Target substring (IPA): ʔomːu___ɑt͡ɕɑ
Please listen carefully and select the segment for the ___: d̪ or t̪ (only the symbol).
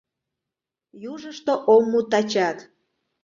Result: t̪